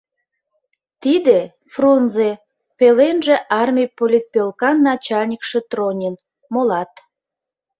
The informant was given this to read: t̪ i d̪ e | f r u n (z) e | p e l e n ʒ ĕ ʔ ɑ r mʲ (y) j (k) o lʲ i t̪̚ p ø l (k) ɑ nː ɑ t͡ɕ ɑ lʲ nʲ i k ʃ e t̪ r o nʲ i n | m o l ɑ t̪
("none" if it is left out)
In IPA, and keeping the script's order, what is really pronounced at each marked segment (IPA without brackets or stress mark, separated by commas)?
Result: z, i, p, k